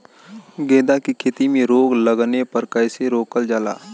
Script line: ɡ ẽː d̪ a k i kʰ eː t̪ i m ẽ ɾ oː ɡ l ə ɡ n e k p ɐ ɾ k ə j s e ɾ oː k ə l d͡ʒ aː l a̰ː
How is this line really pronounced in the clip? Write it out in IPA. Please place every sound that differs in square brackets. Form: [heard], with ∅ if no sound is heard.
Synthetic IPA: ɡ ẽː d̪ a k i kʰ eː t̪ i m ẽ ɾ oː ɡ l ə ɡ n e [∅] p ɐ ɾ k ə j s e ɾ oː k ə l d͡ʒ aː l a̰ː